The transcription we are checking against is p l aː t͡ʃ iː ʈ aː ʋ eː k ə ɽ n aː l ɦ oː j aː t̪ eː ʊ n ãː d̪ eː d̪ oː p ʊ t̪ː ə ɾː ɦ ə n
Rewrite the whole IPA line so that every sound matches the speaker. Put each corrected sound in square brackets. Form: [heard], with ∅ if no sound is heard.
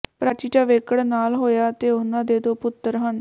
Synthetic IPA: p [ɾ] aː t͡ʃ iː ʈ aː ʋ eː k ə ɽ n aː l ɦ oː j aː t̪ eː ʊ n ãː d̪ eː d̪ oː p ʊ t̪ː ə [ɾ] ɦ ə n